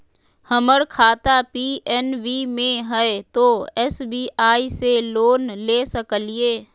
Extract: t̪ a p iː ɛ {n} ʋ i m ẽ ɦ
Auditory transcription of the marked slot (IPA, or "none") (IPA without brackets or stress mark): n